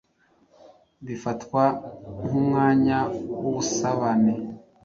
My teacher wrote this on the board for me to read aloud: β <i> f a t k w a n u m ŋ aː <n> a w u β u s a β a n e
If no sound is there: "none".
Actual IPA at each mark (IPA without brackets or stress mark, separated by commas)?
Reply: i, ɲ